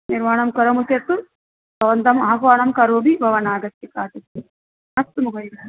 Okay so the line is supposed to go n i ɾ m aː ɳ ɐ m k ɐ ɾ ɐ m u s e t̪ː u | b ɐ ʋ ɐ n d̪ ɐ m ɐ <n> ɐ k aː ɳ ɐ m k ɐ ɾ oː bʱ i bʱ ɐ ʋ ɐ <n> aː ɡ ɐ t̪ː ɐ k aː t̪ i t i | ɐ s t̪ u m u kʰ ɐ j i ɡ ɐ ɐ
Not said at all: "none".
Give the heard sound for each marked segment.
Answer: none, n

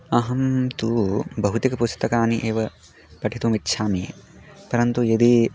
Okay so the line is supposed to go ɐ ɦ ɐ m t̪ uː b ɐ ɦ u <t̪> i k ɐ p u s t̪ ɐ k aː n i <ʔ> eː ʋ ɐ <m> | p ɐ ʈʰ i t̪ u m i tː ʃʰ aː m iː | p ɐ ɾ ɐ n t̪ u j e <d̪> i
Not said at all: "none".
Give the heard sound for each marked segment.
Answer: t̪, ʔ, none, d̪

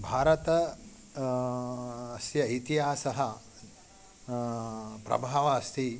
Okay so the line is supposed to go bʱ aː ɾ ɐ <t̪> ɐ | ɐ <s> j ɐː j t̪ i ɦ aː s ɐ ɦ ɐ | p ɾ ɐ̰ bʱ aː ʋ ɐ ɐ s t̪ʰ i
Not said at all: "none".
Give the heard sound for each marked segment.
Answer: t̪, s

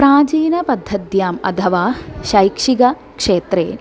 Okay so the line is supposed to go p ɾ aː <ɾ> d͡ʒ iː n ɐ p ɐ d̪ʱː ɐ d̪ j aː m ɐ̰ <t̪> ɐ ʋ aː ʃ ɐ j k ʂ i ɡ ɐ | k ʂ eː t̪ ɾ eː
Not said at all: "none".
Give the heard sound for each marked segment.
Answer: none, t̪ʰ

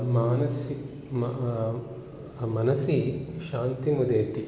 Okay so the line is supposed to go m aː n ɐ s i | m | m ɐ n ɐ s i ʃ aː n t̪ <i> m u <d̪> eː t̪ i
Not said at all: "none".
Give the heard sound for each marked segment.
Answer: i, d̪

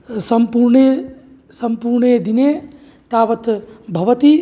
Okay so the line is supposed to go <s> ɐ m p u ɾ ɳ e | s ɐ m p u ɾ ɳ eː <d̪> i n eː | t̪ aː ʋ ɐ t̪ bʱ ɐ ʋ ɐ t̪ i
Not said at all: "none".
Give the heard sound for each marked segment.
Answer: s, d̪

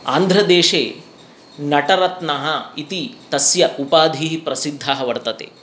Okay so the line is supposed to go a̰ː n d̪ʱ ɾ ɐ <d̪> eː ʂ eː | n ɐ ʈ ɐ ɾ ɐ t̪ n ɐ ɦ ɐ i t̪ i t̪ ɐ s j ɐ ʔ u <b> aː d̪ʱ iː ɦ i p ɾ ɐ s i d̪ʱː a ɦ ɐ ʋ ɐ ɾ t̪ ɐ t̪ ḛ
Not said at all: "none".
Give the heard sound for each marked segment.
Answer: d̪, p

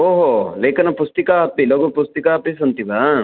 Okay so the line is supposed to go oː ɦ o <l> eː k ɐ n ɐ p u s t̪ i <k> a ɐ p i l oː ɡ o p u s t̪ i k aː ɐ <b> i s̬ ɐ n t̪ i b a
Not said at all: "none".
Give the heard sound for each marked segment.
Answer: l, k, p

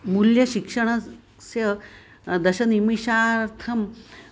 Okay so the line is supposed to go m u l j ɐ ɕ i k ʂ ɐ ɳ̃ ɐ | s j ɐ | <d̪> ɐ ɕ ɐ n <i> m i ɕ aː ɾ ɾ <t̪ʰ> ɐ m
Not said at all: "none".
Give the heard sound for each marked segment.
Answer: d̪, i, t̪ʰ

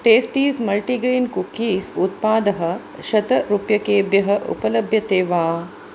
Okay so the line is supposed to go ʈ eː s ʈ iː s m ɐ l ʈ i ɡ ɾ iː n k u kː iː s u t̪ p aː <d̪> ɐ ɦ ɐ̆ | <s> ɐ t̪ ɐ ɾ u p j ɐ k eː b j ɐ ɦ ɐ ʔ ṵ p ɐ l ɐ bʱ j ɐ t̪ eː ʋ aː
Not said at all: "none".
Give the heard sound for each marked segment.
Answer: d̪, ʃ

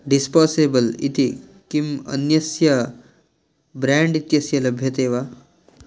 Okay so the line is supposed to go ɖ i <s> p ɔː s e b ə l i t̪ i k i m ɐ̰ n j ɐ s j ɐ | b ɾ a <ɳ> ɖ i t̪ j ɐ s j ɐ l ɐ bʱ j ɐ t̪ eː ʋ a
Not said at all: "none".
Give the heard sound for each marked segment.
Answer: s, ɳ

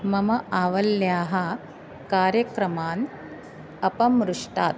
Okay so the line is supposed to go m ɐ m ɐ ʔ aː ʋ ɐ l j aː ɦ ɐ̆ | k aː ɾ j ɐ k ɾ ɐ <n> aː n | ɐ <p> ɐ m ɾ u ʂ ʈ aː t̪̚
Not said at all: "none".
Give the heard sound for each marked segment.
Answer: m, p

